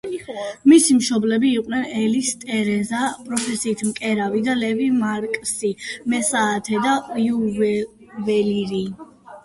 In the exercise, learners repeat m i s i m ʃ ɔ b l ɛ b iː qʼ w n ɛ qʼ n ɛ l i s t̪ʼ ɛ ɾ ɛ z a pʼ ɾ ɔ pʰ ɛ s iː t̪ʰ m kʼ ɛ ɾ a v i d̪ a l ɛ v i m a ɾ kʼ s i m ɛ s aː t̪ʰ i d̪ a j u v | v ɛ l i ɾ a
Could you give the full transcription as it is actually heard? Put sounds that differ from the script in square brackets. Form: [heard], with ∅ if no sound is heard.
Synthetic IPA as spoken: m i s i m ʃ ɔ b l ɛ b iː qʼ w n ɛ [∅] n ɛ l i s t̪ʼ ɛ ɾ ɛ z a pʼ ɾ ɔ pʰ ɛ s iː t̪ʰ m kʼ ɛ ɾ a v i d̪ a l ɛ v i m a ɾ kʼ s i m ɛ s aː t̪ʰ [ɛ] d̪ a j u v | v ɛ l i ɾ [i]